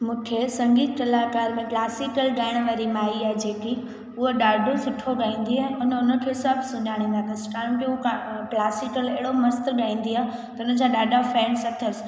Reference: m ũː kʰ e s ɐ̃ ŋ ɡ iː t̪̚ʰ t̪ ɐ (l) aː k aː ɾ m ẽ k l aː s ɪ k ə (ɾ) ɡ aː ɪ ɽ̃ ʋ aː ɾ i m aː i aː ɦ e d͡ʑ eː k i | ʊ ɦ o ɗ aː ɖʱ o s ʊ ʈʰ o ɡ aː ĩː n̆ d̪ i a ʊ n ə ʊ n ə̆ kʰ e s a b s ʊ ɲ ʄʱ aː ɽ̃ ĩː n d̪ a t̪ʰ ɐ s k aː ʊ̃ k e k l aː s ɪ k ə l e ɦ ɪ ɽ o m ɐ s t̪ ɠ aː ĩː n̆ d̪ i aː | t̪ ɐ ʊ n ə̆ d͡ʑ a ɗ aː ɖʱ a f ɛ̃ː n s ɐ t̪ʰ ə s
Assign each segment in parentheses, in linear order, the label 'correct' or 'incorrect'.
correct, incorrect

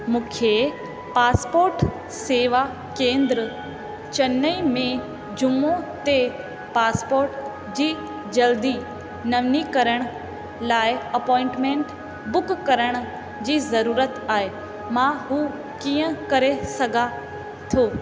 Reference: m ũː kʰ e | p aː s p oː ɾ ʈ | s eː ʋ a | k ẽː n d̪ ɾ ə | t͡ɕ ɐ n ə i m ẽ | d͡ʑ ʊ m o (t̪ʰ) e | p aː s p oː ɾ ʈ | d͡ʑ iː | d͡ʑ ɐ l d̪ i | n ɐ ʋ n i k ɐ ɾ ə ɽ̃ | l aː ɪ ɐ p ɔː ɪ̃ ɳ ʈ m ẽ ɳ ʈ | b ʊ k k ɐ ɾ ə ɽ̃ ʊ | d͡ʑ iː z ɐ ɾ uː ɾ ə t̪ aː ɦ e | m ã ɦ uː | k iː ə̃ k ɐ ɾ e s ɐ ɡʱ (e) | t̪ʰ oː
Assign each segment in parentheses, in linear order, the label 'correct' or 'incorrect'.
incorrect, incorrect

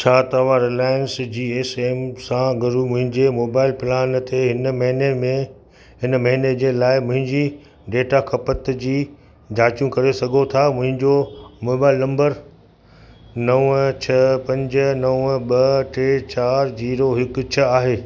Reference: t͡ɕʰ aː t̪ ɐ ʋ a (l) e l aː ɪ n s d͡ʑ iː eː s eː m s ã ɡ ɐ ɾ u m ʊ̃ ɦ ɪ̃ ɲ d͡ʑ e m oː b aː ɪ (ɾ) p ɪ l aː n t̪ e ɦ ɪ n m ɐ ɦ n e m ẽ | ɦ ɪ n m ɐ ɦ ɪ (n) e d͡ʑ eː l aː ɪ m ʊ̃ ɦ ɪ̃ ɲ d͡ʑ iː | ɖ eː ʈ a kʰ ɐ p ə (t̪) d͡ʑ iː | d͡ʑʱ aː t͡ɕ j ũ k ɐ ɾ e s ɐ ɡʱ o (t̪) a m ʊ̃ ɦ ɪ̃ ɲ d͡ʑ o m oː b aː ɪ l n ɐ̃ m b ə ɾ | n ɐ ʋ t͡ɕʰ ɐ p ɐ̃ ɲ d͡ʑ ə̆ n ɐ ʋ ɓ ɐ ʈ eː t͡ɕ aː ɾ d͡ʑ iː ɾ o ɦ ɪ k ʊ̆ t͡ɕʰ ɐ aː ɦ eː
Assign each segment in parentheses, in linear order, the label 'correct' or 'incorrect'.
incorrect, incorrect, correct, correct, incorrect

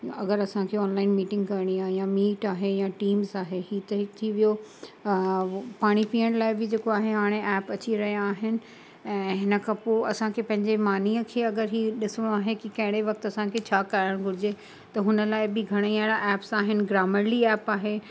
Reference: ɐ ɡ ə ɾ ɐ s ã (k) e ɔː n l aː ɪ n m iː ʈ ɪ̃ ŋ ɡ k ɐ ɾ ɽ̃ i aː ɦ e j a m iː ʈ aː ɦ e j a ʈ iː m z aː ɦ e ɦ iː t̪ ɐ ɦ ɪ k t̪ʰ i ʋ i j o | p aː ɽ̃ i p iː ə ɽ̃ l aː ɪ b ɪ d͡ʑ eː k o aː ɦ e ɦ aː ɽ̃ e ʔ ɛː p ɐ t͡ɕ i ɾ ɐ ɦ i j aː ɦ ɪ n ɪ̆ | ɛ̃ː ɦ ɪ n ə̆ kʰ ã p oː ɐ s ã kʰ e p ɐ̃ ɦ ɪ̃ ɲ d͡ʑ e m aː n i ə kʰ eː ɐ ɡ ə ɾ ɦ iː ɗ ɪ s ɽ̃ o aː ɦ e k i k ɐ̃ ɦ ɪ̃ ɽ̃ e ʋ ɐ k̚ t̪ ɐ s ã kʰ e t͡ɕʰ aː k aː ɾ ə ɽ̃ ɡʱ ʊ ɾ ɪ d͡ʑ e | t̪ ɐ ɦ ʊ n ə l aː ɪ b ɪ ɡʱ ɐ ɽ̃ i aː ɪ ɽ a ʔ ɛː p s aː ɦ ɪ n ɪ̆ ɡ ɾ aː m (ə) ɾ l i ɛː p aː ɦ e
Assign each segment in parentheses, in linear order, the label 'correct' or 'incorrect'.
incorrect, correct

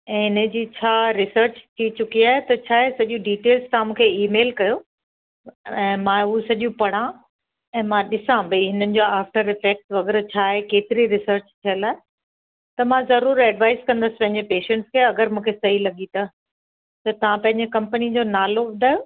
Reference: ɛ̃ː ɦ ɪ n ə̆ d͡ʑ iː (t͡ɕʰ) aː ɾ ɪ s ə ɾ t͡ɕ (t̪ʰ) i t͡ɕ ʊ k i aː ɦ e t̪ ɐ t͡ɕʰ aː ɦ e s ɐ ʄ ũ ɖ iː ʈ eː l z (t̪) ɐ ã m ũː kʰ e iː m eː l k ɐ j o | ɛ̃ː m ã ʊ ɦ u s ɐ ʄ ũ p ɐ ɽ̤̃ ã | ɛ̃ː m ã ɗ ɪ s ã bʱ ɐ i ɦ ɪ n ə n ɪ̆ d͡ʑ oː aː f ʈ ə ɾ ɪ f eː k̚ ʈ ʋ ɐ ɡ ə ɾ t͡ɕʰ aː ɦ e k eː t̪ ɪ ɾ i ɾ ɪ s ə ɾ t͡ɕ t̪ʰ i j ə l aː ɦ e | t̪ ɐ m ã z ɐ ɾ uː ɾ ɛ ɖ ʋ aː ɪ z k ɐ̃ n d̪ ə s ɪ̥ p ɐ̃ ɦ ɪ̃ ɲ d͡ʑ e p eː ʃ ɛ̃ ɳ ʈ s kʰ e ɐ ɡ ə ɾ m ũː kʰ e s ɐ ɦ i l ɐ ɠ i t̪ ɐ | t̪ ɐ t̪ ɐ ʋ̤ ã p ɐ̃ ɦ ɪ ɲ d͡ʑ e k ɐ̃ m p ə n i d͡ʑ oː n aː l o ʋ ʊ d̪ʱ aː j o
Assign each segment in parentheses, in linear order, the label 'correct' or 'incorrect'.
correct, correct, correct

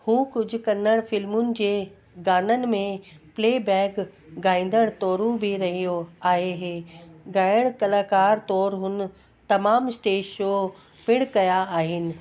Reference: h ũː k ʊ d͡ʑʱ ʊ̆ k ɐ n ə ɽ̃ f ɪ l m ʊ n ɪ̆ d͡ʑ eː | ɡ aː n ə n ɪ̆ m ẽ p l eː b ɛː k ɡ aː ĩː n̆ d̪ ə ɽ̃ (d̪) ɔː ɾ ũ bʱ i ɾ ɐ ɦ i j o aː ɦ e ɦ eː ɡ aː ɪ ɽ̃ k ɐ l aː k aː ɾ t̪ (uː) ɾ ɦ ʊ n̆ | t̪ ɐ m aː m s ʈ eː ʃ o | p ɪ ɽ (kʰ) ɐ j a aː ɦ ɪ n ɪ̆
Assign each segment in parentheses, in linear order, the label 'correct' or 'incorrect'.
incorrect, incorrect, incorrect

